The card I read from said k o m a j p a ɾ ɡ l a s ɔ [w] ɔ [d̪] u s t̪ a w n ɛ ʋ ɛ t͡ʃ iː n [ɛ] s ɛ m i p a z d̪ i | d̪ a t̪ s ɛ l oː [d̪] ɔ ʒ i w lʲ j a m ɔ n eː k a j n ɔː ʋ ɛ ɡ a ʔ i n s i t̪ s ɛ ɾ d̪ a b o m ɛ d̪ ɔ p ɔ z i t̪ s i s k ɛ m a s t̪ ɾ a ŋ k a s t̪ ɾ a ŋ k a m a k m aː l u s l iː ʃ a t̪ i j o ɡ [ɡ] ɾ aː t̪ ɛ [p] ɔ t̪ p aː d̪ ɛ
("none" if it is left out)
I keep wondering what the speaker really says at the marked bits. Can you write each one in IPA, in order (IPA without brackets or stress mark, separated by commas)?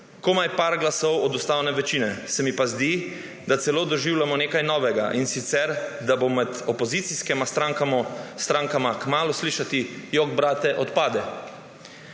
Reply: w, d̪, ɛ, d̪, b, ʔ